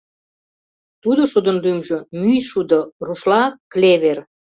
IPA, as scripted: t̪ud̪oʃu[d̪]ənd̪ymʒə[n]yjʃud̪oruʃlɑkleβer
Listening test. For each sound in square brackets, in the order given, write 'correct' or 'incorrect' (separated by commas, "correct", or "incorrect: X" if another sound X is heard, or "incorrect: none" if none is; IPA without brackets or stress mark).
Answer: correct, incorrect: m